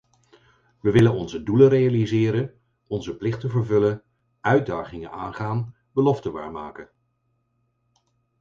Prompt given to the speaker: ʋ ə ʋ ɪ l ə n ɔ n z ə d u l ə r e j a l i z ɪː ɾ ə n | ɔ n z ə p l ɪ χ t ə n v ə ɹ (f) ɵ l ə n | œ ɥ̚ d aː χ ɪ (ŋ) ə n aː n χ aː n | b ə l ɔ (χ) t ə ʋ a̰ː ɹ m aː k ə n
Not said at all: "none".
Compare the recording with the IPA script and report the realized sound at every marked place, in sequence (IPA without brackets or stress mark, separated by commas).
v, ŋ, f